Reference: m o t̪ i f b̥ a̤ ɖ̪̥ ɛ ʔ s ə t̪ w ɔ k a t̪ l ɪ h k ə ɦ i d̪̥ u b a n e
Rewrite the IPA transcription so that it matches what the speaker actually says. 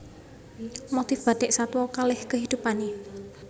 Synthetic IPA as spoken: m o t̪ i f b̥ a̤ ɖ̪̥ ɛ ʔ s a t̪ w ɔ k a l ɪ h k ə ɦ i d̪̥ u p a n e